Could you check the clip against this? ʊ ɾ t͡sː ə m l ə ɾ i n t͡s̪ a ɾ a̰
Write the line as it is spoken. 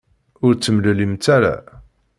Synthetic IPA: ʊ ɾ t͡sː ə m l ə l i m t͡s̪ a ɾ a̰

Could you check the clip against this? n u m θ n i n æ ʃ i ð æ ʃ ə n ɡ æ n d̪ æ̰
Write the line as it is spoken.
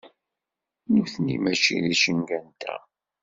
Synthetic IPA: n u θ n i m æ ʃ i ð i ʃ ə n ɡ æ n t̪ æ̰

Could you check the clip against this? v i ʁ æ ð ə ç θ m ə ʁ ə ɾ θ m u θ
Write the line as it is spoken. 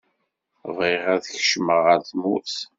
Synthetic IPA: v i ʁ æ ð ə ç ʃ m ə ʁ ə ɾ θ m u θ

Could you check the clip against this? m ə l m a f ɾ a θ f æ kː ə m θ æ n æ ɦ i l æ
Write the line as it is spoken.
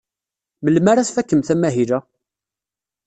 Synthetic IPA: m ə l m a ɾ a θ f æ kː ə m θ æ m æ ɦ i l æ

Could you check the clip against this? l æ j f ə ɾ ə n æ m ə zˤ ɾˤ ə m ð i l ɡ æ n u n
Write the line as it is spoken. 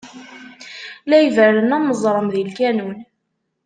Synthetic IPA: l æ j v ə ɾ ə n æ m ə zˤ ɾˤ ə m ð i l k æ n u n

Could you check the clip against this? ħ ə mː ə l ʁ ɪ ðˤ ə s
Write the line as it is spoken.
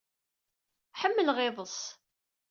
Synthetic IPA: ħ ə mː ə l ʁ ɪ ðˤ ə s

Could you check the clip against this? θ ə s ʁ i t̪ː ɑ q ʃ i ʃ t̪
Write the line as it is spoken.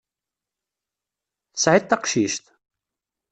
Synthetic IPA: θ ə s ʕ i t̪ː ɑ q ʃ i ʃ t̪

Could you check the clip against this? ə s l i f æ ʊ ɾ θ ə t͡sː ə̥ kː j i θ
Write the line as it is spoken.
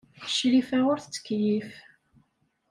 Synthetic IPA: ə ʃ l i f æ ʊ ɾ θ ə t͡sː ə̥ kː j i f

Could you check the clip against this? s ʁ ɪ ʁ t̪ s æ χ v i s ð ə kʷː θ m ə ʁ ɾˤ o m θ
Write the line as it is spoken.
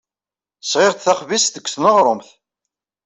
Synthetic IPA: s ʁ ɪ ʁ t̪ θ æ χ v i s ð ə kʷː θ n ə ʁ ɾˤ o m θ

